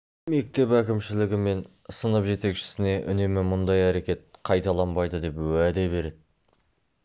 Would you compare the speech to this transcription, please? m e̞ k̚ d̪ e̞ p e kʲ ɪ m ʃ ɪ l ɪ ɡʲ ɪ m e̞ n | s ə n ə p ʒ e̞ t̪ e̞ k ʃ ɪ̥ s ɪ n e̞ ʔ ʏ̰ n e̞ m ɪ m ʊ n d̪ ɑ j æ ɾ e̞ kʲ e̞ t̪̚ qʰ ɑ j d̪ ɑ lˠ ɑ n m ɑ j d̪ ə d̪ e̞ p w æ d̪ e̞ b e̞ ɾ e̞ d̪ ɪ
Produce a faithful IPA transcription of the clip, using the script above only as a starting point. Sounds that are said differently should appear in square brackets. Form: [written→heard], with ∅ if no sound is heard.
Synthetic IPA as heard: m e̞ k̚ [d̪→t̪] e̞ p [e→æ] kʲ ɪ m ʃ ɪ l ɪ ɡʲ ɪ m e̞ n | s ə n ə p ʒ e̞ t̪ e̞ k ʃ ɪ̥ s ɪ n e̞ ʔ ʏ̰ n e̞ m ɪ m ʊ n d̪ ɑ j æ ɾ e̞ kʲ e̞ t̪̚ qʰ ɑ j [d̪→t̪] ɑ lˠ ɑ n [m→b] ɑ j d̪ ə d̪ e̞ p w æ d̪ e̞ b e̞ ɾ e̞ d̪ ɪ

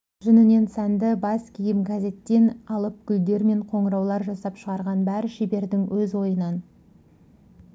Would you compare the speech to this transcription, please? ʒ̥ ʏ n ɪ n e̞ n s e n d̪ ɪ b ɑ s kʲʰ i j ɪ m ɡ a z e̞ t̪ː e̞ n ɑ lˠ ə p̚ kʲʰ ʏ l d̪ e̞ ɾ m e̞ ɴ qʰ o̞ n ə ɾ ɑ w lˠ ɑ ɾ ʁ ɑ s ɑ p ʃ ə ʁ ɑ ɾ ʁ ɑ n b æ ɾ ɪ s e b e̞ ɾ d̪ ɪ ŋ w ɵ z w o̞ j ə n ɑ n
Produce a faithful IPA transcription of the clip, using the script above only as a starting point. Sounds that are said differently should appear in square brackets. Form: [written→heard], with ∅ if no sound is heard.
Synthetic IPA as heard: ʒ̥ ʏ n ɪ n e̞ n s [e→æ] n d̪ ɪ b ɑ s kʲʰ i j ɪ m ɡ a z e̞ t̪ː e̞ n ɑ lˠ ə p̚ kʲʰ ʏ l d̪ e̞ ɾ m e̞ ɴ qʰ o̞ [n→ɴ] ə ɾ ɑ w lˠ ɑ ɾ [ʁ→ʒ] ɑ s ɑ p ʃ ə ʁ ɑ ɾ ʁ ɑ n b æ ɾ ɪ [s→ʃ] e b e̞ ɾ d̪ ɪ ŋ w ɵ z w o̞ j ə n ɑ n

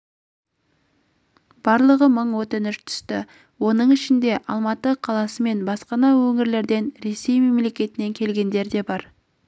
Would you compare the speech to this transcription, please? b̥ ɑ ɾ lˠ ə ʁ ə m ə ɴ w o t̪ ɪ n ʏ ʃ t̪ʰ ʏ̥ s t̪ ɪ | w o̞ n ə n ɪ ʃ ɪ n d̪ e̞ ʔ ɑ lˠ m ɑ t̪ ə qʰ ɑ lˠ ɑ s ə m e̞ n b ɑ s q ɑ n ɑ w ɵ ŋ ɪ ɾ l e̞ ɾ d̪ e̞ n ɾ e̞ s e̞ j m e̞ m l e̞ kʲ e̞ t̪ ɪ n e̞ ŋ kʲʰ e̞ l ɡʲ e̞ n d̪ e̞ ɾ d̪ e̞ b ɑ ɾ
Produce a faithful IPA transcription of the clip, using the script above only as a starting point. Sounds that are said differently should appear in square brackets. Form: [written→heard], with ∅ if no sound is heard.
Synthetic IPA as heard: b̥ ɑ ɾ lˠ ə ʁ ə m ə ɴ w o t̪ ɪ n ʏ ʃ t̪ʰ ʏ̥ s t̪ ɪ | w o̞ n ə [n→ɴ] ɪ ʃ ɪ n d̪ e̞ ʔ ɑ lˠ m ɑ t̪ ə qʰ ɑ lˠ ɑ s ə m e̞ n b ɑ s q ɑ n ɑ w ɵ ŋ ɪ ɾ l e̞ ɾ d̪ e̞ n ɾ e̞ s e̞ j m e̞ m l e̞ kʲ e̞ t̪ ɪ n e̞ ŋ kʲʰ e̞ l ɡʲ e̞ n d̪ e̞ ɾ d̪ e̞ b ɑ ɾ

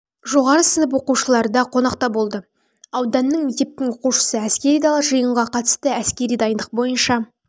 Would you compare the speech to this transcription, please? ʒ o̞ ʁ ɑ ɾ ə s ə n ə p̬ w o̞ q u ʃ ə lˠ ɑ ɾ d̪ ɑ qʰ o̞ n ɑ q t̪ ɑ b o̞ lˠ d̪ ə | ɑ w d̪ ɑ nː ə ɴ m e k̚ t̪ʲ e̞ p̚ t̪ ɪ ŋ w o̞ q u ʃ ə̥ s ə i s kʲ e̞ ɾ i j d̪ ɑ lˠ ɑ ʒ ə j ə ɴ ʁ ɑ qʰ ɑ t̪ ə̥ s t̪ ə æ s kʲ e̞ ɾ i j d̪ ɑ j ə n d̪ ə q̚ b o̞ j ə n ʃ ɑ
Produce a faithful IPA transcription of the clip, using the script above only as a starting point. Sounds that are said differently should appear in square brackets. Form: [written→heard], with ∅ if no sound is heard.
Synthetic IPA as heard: ʒ o̞ ʁ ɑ ɾ ə s ə n ə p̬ w o̞ q u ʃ ə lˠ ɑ ɾ d̪ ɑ qʰ o̞ n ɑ q t̪ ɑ b o̞ lˠ d̪ ə | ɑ w d̪ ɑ nː ə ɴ m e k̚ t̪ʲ e̞ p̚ t̪ ɪ ŋ w o̞ q u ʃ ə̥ s ə [i→æ] s kʲ e̞ ɾ i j d̪ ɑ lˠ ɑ ʒ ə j ə ɴ ʁ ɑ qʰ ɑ t̪ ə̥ s t̪ ə æ s kʲ e̞ ɾ i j d̪ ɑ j ə n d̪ ə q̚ b o̞ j ə n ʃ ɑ

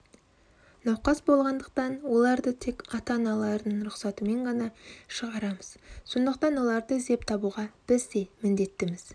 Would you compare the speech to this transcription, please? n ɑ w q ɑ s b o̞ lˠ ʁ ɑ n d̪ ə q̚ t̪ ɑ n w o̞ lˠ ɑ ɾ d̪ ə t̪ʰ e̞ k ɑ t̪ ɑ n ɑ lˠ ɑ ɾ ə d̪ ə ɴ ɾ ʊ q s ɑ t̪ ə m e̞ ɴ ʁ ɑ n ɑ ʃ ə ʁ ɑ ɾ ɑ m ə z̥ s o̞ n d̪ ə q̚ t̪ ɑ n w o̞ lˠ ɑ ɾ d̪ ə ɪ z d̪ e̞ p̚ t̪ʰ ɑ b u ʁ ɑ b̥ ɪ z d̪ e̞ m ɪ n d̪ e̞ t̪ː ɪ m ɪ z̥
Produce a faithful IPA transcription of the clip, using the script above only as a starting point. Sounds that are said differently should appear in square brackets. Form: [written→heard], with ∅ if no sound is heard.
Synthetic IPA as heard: n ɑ w q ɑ s b o̞ lˠ ʁ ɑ n d̪ ə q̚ t̪ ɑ n w o̞ lˠ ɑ ɾ d̪ ə t̪ʰ e̞ k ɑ t̪ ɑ n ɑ lˠ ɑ ɾ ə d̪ ə ɴ ɾ ʊ q s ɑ t̪ ə m e̞ ɴ ʁ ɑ n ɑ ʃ ə ʁ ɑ ɾ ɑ m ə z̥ s o̞ n d̪ ə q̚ t̪ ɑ n w o̞ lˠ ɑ ɾ d̪ ə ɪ z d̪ e̞ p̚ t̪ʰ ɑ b u ʁ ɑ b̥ ɪ z d̪ e̞ m ɪ n d̪ e̞ t̪ː ɪ m ɪ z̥

